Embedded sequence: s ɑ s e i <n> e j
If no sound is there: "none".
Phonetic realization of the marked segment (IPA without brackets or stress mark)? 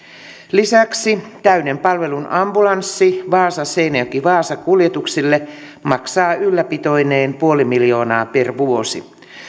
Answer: n